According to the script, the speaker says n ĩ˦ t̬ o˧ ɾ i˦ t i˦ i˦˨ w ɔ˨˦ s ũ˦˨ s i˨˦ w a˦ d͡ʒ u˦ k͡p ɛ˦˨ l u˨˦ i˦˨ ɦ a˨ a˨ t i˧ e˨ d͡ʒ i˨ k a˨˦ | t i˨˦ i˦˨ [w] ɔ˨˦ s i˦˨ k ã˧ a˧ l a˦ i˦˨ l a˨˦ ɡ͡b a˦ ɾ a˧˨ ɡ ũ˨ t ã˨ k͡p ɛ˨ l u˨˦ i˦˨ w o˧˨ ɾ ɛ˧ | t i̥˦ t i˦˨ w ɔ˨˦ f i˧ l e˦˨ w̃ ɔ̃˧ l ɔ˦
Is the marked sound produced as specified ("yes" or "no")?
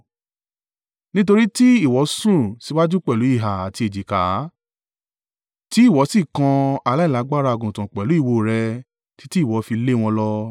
yes